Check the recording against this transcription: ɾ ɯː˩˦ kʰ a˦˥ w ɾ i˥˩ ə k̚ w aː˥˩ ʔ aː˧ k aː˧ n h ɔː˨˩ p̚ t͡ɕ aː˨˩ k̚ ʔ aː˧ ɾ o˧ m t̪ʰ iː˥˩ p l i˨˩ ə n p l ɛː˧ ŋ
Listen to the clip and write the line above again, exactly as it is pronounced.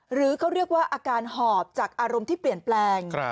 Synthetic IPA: ɾ ɯː˩˦ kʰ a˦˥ w ɾ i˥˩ ə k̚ w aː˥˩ ʔ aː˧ k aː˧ n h ɔː˨˩ p̚ t͡ɕ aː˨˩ k̚ ʔ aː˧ ɾ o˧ m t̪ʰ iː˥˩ p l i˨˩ ə n p l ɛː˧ ŋ